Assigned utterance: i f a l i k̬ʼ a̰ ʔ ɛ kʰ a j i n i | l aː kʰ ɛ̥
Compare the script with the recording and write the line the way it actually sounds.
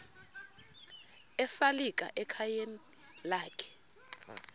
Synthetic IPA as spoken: ɛ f a l i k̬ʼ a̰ ʔ ɛ kʰ a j e n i | l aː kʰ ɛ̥